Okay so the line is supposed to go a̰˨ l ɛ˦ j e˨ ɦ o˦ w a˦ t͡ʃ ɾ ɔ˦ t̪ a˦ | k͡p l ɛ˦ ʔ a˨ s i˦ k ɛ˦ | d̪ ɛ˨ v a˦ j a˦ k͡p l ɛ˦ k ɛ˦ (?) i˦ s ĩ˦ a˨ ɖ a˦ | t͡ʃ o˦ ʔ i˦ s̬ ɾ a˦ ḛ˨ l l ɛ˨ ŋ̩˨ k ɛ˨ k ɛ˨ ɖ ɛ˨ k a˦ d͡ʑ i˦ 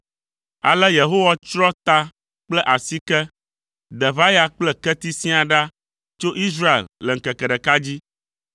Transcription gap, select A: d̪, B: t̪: B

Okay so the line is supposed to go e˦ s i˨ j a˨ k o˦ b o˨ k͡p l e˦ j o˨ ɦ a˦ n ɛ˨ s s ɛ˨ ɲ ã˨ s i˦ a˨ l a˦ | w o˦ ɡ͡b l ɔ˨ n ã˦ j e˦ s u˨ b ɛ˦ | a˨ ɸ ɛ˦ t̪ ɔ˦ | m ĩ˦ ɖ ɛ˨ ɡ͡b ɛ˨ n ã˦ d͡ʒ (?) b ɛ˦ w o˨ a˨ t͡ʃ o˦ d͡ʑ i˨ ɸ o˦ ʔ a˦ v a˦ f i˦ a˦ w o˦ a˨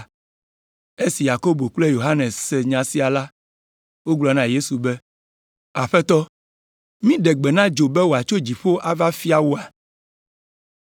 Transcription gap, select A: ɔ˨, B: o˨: B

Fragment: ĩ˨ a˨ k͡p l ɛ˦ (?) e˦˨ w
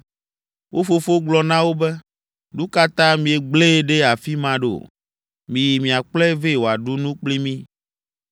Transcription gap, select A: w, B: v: B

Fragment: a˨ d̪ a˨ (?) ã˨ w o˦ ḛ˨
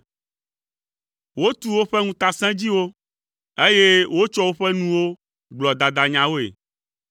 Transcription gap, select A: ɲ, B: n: A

